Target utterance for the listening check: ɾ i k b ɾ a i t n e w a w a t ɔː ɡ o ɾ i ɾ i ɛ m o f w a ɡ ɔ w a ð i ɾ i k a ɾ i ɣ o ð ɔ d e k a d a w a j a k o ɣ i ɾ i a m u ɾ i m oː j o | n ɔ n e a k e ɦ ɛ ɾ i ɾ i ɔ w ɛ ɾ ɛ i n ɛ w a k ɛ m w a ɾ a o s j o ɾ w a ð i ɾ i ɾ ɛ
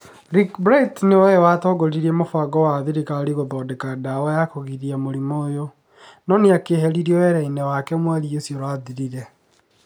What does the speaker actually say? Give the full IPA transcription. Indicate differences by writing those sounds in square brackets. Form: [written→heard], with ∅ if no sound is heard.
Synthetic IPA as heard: ɾ i k b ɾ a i t n e w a w a t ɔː ɡ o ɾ i ɾ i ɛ m o f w a ɡ ɔ w a ð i ɾ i k a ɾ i ɣ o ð ɔ d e k a d a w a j a k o ɣ i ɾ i a m [u→o] ɾ i m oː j o | n ɔ n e a k e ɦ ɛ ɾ i ɾ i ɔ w ɛ ɾ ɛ i n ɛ w a k ɛ m w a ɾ [a→i] o s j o ɾ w a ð i ɾ i ɾ ɛ

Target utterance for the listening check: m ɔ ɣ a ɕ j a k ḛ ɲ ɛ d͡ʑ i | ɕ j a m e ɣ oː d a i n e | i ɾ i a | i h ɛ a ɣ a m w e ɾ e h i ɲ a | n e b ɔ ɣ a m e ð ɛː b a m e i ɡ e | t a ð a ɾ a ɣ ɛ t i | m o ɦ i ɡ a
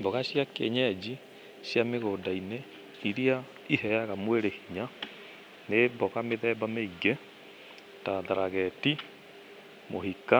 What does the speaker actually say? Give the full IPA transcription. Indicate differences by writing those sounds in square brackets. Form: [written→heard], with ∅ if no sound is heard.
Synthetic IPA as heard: [m→b] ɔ ɣ a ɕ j a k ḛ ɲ ɛ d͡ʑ i | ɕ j a m e ɣ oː d a i n e | i ɾ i a | i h ɛ a ɣ a m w e ɾ e h i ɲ a | n e b ɔ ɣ a m e ð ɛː b a m e i ɡ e | t a ð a ɾ a ɣ ɛ t i | m o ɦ i [ɡ→k] a

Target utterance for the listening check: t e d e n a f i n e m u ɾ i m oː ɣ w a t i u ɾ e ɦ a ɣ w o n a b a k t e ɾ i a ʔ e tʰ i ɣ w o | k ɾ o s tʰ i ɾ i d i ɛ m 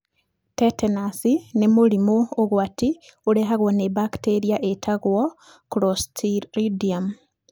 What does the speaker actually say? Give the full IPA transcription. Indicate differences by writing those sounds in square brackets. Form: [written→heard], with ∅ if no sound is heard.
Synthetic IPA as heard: t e [d→t] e n a [f→s] i n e m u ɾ i m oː ɣ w a t i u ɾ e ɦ a ɣ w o n [a→e] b a k t e ɾ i a ʔ e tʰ [i→a] ɣ w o | k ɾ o s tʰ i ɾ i d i [ɛ→a] m

